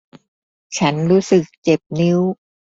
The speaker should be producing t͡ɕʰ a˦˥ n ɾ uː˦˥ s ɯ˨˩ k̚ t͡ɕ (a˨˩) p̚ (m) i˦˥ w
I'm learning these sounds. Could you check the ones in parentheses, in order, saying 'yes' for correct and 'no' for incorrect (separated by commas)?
no, no